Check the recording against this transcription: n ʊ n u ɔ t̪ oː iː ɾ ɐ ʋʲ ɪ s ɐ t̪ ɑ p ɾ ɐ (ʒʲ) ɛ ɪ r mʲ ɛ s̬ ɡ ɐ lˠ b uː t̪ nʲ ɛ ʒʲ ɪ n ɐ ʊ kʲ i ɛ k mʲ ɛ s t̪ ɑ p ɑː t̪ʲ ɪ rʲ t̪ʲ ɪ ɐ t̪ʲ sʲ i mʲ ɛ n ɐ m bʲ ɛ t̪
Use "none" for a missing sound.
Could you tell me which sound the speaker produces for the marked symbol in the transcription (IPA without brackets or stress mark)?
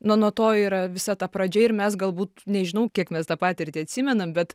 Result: d͡ʒʲ